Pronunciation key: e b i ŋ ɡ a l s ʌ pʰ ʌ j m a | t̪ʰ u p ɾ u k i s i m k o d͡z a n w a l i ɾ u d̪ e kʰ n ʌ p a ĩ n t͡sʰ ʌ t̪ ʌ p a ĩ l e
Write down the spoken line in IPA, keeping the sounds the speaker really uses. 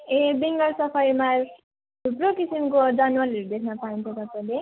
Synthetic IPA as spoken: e b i ŋ ɡ ʌ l s ʌ pʰ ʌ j m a | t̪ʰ u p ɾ o k i s i m k o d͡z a n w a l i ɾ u d̪ e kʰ n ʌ p a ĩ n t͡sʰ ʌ t̪ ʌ p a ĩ l e